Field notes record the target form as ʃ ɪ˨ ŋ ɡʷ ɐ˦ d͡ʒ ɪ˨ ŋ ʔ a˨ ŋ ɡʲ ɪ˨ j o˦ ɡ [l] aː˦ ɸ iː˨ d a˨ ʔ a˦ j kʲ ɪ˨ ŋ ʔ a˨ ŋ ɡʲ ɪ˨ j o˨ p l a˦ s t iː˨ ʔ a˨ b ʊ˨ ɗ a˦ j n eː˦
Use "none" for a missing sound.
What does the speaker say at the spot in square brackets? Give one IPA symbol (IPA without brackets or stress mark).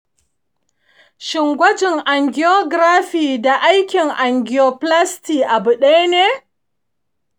ɾ